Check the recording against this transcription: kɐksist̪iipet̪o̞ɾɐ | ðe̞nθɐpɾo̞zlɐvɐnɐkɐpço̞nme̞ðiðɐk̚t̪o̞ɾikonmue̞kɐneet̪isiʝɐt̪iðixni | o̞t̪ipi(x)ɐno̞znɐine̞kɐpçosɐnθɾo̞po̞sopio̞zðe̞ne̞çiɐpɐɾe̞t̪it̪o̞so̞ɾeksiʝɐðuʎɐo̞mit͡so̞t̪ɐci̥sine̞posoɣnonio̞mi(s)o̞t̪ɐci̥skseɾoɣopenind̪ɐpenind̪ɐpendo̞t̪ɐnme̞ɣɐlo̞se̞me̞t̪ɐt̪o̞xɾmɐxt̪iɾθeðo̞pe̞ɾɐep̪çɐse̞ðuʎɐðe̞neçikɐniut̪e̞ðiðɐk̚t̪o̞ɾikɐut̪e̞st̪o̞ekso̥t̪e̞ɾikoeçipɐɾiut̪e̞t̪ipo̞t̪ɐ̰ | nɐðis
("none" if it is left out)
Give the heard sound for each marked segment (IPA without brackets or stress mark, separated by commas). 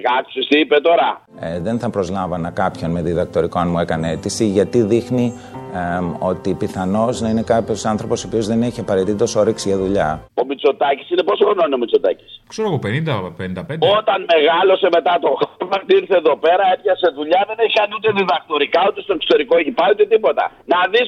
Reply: θ, t͡s